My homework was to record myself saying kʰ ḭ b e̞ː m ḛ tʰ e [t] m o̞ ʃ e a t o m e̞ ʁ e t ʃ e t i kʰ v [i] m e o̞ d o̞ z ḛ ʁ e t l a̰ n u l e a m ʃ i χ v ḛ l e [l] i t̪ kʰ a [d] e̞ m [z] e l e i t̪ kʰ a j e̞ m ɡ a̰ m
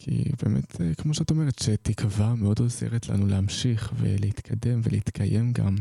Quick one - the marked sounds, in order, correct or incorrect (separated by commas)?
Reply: incorrect, incorrect, incorrect, correct, incorrect